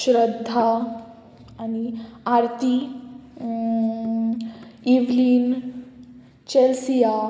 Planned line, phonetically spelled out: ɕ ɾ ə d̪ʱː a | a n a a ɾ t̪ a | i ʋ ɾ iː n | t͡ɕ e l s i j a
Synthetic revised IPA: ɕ ɾ ə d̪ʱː a | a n i a ɾ t̪ i | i ʋ l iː n | t͡ɕ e l s i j a

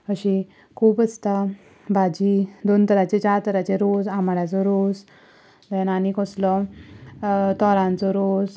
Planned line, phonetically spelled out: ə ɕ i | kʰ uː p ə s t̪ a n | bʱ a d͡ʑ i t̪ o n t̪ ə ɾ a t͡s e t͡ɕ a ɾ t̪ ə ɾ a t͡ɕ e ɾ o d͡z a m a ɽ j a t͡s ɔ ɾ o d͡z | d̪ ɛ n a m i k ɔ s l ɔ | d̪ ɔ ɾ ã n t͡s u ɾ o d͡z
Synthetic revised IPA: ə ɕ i | kʰ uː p ə s t̪ a | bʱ a d͡ʑ i d̪ o n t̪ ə ɾ a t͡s e t͡ɕ a ɾ t̪ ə ɾ a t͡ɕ e ɾ o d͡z a m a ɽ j a t͡s ɔ ɾ o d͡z | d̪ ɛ n a n i k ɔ s l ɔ | t̪ ɔ ɾ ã n t͡s ɔ ɾ o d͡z

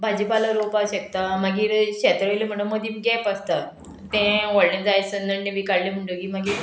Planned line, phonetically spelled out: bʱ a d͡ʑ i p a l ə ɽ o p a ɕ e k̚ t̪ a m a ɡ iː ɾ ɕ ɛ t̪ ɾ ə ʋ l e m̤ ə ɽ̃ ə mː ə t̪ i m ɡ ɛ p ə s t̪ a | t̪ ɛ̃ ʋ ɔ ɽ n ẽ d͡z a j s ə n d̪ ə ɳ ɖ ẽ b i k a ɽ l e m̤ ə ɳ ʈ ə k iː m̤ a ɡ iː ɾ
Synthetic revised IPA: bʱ a d͡ʑ i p a l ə ɾ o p a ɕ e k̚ t̪ a m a ɡ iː ɾ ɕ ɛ t̪ ɾ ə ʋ l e m̤ ə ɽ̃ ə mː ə d̪ i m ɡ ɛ p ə s t̪ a | t̪ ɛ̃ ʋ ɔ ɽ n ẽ d͡z a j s ə n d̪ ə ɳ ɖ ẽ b i k a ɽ l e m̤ ə ɳ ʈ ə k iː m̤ a ɡ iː ɾ

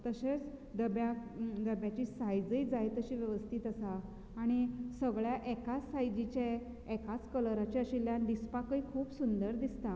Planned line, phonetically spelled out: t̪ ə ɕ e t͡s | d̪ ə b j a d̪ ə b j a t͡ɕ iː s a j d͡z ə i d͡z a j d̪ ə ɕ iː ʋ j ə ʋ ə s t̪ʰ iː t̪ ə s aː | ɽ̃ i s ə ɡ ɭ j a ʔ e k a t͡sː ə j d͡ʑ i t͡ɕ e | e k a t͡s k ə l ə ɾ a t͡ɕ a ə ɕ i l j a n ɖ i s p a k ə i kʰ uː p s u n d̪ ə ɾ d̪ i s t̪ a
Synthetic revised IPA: t̪ ə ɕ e t͡s | d̪ ə b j a d̪ ə b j a t͡ɕ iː s a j d͡z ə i d͡z a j t̪ ə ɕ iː ʋ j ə ʋ ə s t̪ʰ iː t̪ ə s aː | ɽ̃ i s ə ɡ ɭ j a ʔ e k a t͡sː a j d͡ʑ i t͡ɕ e | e k a t͡s k ə l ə ɾ a t͡ɕ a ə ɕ i l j a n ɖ i s p a k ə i kʰ uː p s u n d̪ ə ɾ d̪ i s t̪ a

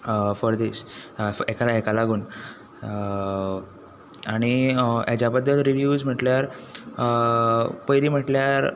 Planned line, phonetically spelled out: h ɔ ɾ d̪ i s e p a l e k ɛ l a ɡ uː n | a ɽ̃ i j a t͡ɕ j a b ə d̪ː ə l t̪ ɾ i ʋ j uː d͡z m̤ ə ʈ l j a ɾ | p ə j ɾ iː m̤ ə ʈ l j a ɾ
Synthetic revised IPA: f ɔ ɾ d̪ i s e k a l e k a l a ɡ uː n | a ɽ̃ i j a t͡ɕ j a b ə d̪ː ə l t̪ ɾ i ʋ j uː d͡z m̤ ə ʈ l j a ɾ | p ə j ɾ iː m̤ ə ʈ l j a ɾ

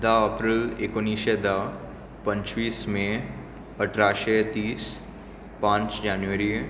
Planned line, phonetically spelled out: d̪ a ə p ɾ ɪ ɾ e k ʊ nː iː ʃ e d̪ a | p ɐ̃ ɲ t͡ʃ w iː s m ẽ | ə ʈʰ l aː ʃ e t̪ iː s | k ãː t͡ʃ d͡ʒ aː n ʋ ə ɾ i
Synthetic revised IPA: d̪ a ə p ɾ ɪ l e k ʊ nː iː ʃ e d̪ a | p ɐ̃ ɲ t͡ʃ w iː s m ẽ | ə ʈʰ ɾ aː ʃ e t̪ iː s | p ãː t͡ʃ d͡ʒ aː n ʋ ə ɾ i

